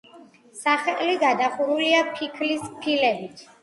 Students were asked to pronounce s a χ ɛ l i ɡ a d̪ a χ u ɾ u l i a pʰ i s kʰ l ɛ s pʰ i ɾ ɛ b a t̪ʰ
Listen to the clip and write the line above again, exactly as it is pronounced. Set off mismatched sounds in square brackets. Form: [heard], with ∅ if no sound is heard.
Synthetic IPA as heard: s a χ ɛ l i ɡ a d̪ a χ u ɾ u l i a pʰ i [∅] kʰ l [i] s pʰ i [l] ɛ b [i] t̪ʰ